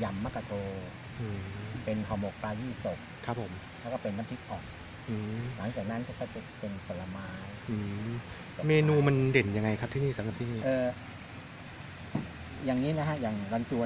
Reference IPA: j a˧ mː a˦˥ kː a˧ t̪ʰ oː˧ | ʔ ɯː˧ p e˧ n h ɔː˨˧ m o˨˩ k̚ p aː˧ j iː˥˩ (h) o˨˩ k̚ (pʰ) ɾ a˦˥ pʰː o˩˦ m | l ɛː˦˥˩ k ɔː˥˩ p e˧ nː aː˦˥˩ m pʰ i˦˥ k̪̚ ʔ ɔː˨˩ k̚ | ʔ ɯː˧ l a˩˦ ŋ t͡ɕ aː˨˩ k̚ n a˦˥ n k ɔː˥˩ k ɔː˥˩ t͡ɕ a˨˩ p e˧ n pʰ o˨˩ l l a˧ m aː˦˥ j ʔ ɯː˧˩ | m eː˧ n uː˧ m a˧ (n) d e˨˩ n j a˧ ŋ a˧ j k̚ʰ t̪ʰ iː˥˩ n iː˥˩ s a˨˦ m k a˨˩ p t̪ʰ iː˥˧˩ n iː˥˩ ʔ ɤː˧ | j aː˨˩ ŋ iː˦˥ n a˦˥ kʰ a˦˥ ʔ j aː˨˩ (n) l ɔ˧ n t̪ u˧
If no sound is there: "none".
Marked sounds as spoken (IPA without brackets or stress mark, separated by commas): s, kʰ, n, ŋ